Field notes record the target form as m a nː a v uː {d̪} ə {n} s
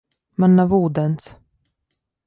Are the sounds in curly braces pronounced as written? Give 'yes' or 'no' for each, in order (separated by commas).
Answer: yes, yes